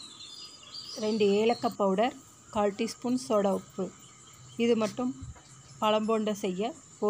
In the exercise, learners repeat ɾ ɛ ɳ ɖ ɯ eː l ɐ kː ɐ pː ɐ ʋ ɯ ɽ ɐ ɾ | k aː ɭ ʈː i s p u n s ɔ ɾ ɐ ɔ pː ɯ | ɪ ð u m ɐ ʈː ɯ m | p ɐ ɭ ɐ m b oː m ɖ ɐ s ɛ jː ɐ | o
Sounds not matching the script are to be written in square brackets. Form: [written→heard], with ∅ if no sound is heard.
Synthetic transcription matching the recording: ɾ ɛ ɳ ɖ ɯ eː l ɐ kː ɐ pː ɐ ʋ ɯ ɽ ɐ ɾ | k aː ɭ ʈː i s p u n s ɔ [ɾ→ɽ] ɐ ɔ pː ɯ | ɪ ð [u→ɯ] m ɐ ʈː ɯ m | p ɐ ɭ ɐ m b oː [m→ɳ] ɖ ɐ s ɛ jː ɐ | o